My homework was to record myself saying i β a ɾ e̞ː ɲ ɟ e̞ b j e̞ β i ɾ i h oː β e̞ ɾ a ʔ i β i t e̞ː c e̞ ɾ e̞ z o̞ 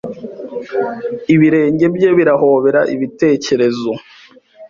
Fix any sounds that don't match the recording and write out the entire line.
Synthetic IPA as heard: i β i ɾ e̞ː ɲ ɟ e̞ b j e̞ β i ɾ a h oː β e̞ ɾ a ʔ i β i t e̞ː c e̞ ɾ e̞ z o̞